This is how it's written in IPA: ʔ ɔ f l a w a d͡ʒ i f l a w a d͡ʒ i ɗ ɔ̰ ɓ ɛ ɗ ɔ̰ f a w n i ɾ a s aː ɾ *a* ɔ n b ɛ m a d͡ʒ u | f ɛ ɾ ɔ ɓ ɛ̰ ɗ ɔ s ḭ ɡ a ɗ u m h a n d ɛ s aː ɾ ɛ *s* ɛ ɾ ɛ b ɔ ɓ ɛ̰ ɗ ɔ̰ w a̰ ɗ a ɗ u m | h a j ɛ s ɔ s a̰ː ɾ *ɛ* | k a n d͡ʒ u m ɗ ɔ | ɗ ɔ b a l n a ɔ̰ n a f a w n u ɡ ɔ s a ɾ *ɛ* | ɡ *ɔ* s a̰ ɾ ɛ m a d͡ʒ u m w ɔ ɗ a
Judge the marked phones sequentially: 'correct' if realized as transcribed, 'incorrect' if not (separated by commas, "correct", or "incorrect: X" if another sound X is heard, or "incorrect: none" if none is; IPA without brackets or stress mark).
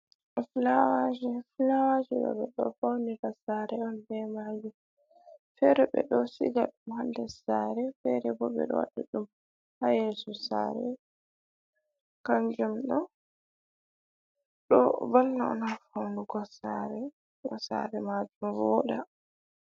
incorrect: ɛ, incorrect: f, correct, correct, correct